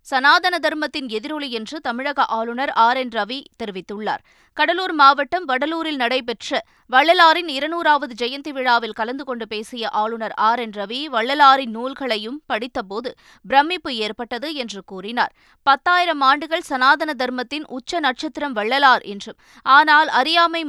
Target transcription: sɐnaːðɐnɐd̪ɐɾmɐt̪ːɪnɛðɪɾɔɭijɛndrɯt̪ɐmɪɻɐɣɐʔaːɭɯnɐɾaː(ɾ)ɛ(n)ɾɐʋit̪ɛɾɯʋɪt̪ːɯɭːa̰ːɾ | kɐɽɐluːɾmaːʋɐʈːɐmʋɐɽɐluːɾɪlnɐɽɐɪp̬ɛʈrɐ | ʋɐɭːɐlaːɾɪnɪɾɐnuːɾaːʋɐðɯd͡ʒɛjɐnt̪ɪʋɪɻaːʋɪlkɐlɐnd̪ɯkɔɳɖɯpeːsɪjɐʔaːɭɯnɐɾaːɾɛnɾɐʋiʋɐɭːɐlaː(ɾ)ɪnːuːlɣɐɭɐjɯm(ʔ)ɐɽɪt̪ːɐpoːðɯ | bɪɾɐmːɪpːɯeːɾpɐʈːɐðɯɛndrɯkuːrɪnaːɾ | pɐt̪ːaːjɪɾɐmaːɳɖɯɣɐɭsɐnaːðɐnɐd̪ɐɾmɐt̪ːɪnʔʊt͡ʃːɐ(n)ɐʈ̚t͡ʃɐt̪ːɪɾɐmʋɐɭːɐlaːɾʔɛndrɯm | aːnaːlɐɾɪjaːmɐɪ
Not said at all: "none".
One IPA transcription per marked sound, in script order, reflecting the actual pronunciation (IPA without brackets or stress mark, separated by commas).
ɾ, n, ɾ, p, n